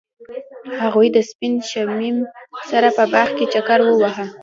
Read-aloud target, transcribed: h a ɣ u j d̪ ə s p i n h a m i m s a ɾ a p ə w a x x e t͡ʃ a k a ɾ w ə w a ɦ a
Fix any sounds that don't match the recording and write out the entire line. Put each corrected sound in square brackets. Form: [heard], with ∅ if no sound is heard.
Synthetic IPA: h a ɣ u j d̪ ə s p i n [ʃ] a m i m s a ɾ a p ə [b] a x [k] e t͡ʃ a k a ɾ w ə w a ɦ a